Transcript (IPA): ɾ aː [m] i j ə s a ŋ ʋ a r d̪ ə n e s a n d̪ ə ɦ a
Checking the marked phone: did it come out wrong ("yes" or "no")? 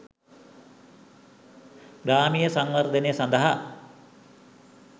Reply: no